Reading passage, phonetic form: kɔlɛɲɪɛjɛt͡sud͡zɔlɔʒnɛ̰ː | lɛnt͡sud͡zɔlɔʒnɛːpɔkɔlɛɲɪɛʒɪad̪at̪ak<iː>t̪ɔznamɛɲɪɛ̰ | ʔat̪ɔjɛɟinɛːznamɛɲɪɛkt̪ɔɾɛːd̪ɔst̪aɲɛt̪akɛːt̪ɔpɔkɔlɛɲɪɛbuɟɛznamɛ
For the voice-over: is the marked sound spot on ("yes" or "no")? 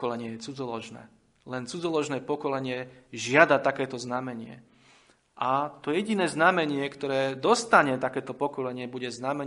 no